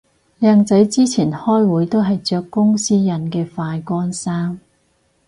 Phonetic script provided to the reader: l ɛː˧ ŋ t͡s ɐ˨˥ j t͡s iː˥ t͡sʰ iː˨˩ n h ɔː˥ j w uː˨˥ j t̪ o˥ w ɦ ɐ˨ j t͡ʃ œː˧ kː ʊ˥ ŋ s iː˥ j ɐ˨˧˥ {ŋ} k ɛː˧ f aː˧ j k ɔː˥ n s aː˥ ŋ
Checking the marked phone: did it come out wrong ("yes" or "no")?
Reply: yes